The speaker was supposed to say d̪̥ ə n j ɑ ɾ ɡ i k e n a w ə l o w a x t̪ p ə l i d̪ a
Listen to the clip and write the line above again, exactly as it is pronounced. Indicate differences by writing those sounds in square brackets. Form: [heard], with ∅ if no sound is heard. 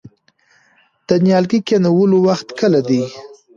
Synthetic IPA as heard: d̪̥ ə n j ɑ [l] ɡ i k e n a w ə l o w a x t̪ [k] ə l [a] d̪ [i]